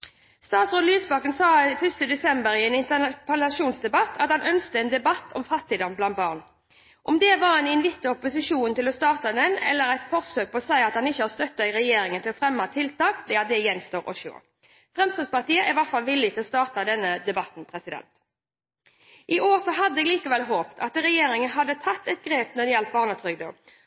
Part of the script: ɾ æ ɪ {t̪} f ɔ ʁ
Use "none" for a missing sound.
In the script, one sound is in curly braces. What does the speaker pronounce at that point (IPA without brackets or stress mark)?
t̪